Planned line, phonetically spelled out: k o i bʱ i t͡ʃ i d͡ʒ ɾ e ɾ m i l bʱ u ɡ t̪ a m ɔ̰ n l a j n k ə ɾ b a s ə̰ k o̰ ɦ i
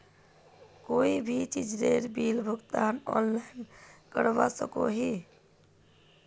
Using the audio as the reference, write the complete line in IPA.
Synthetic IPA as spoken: k o i bʱ i t͡ʃ i d͡ʒ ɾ e ɾ b i l bʱ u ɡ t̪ a n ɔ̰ n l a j n k ə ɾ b a s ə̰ k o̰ ɦ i